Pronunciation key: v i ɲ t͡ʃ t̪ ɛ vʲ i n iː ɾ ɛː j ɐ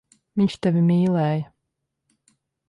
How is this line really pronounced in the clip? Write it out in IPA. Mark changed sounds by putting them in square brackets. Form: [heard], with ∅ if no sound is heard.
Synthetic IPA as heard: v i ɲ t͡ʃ t̪ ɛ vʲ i [m] iː [l] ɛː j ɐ